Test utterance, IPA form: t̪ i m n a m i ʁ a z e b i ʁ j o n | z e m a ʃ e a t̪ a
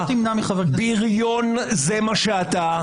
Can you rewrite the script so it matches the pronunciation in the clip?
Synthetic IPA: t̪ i m n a m i χ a v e b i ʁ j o n | z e m a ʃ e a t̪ a